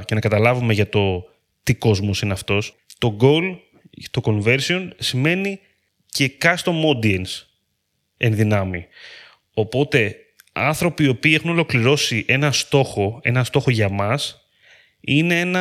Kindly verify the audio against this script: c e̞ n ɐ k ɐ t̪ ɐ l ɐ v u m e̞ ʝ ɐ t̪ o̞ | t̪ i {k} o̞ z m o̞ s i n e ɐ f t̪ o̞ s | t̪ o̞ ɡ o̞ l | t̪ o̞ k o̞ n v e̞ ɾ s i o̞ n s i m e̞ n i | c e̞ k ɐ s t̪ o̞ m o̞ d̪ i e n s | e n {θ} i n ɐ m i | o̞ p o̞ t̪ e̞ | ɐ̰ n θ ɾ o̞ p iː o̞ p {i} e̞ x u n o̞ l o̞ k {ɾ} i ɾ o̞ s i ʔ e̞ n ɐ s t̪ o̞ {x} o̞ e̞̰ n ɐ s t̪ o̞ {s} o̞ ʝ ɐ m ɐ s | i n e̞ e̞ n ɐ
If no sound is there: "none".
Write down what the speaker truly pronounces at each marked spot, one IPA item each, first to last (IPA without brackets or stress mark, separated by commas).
k, ð, iː, l, x, x